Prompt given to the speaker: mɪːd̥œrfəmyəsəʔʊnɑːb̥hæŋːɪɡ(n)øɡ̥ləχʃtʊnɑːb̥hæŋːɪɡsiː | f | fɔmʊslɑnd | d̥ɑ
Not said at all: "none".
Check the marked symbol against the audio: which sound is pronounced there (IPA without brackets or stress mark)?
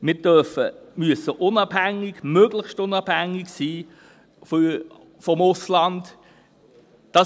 m